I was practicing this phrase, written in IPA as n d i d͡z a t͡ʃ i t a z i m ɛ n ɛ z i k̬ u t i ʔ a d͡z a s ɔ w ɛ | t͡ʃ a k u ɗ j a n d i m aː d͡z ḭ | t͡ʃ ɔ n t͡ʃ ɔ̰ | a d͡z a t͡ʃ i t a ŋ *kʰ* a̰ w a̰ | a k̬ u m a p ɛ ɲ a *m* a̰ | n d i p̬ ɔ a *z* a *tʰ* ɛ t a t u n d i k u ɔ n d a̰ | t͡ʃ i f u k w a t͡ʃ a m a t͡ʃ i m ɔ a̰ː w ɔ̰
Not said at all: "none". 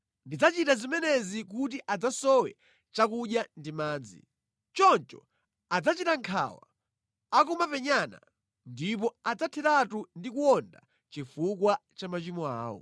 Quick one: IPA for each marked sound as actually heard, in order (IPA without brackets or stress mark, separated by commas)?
kʰ, n, d͡z, tʰ